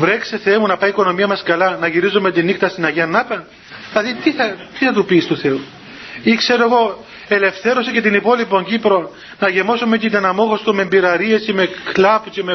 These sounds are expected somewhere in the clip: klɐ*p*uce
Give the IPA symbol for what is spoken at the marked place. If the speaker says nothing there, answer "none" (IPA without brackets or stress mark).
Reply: p